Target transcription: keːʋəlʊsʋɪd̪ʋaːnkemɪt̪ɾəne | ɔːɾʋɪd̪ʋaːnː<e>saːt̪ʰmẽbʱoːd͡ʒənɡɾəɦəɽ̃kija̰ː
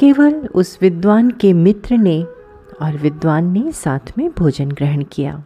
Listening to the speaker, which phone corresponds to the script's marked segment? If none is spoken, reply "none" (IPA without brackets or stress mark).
e